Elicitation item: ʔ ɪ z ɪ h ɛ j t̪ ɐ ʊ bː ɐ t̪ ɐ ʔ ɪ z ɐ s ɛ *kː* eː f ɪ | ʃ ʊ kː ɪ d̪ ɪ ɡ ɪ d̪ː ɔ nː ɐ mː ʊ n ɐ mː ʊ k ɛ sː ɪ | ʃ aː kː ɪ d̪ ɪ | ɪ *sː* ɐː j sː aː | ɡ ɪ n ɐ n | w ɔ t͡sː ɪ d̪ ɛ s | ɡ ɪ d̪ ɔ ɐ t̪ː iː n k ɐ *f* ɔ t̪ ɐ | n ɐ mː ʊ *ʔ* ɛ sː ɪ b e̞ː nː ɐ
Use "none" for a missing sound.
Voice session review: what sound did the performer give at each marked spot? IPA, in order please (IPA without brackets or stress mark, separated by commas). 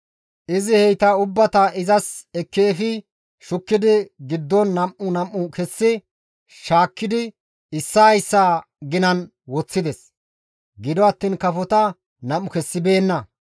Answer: kː, sː, f, k